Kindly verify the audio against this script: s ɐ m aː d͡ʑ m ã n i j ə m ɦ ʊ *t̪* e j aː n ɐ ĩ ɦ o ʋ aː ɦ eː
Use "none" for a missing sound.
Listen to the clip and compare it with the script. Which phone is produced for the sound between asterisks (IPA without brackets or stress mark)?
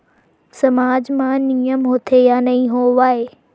t̪ʰ